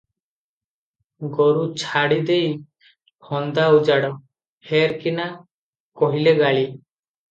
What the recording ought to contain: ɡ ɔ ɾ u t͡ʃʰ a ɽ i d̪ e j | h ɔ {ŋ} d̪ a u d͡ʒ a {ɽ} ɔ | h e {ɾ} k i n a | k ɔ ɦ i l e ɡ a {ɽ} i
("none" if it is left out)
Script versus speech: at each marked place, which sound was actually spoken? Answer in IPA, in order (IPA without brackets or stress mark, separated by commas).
n, ɽ, ɾ, ɭ